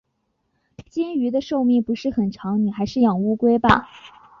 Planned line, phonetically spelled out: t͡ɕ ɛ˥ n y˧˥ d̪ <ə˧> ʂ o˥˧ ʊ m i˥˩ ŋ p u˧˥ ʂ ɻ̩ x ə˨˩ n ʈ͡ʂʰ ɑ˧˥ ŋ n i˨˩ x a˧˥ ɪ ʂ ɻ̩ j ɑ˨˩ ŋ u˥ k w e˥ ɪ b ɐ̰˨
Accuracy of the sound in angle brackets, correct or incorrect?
correct